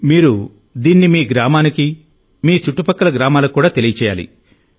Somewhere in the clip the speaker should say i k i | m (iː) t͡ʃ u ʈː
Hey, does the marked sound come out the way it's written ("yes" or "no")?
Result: yes